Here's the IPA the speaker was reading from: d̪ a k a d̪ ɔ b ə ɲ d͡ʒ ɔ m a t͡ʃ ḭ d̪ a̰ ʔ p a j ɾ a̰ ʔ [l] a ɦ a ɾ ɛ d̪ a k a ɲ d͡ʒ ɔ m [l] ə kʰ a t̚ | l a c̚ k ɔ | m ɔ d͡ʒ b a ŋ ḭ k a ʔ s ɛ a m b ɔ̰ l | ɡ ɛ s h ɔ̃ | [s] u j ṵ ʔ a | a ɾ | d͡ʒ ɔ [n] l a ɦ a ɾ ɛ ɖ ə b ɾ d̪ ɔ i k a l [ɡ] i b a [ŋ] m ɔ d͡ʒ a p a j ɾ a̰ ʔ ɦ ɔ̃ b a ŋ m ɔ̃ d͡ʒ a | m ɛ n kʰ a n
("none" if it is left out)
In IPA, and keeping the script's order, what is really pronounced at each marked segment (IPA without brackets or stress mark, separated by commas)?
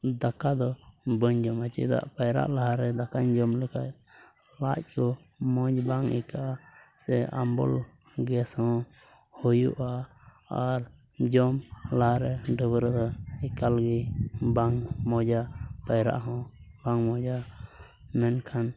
l, l, h, m, ɡ, ŋ